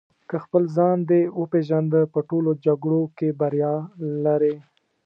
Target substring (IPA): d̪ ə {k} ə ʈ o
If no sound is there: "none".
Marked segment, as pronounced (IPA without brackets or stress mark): p